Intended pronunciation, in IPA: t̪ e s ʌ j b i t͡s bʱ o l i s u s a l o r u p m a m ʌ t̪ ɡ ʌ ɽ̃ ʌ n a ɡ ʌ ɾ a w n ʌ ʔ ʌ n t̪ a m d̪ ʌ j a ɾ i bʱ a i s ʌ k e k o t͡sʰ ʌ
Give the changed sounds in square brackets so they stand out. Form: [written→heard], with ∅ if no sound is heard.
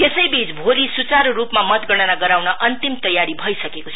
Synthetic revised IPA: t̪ e s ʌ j b i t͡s bʱ o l i s u [s→t͡s] a [l→ɾ] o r u p m a m ʌ t̪ ɡ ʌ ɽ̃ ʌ n a ɡ ʌ ɾ a w n ʌ ʔ ʌ n t̪ [a→i] m [d̪→t̪] ʌ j a ɾ i bʱ [a→ʌ] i s ʌ k e k o t͡sʰ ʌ